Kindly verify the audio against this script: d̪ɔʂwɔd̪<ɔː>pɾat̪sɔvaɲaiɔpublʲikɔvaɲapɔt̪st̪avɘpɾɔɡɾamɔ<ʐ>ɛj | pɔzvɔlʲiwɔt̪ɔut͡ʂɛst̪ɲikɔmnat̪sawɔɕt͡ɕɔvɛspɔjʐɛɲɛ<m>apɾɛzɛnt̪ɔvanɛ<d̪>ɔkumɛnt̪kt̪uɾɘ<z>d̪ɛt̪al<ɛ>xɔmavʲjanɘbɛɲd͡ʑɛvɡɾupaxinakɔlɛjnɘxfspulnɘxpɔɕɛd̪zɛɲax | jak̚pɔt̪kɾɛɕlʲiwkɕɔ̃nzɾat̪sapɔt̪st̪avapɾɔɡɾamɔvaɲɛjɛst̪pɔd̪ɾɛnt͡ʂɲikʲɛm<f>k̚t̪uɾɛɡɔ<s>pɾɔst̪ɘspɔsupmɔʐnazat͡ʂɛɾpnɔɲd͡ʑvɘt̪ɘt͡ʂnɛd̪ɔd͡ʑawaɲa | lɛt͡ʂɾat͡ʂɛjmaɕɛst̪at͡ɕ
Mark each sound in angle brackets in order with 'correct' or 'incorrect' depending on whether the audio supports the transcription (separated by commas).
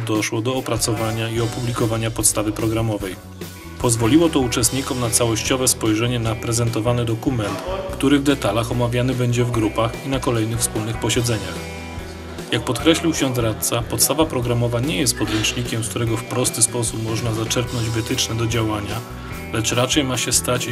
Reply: correct, incorrect, incorrect, correct, incorrect, incorrect, incorrect, incorrect